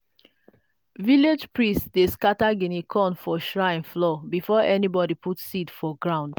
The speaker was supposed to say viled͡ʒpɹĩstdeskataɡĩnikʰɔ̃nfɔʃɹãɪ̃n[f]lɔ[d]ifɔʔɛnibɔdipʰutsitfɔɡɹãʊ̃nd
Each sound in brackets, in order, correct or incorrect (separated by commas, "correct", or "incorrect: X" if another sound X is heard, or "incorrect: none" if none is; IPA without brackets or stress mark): correct, incorrect: b